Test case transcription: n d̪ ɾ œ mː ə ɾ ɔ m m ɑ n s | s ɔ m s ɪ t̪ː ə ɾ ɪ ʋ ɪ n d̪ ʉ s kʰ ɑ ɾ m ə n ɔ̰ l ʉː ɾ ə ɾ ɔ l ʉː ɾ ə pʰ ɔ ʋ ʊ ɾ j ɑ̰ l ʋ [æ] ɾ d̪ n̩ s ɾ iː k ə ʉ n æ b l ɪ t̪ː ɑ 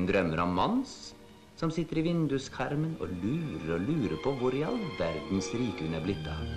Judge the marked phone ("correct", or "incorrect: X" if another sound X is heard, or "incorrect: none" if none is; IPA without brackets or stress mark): correct